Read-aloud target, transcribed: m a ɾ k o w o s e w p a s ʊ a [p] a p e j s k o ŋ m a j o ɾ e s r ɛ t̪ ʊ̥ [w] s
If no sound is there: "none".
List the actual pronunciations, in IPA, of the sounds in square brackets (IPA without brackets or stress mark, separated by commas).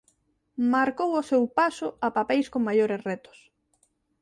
p, none